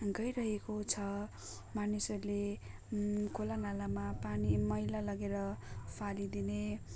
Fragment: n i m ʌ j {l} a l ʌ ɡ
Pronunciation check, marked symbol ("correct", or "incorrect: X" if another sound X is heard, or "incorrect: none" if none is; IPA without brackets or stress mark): correct